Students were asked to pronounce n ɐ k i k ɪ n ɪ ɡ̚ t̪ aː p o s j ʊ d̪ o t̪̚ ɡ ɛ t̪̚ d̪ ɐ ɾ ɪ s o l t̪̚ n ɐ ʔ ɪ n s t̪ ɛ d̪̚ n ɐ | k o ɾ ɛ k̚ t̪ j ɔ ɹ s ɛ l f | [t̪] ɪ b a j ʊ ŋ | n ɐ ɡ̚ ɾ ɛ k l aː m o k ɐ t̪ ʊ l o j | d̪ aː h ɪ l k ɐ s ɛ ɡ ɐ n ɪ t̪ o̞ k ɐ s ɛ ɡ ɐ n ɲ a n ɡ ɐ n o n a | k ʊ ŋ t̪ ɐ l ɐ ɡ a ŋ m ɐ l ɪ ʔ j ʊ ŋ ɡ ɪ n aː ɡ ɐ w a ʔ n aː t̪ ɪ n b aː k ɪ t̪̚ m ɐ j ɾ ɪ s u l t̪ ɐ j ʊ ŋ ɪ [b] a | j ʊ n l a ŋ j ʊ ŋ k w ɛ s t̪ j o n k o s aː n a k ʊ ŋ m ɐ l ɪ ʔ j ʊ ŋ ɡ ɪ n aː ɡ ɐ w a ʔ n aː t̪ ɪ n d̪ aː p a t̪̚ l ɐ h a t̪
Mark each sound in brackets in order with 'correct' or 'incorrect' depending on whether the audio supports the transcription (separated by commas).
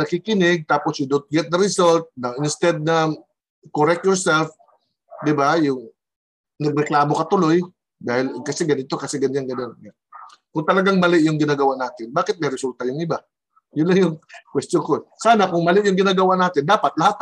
incorrect, correct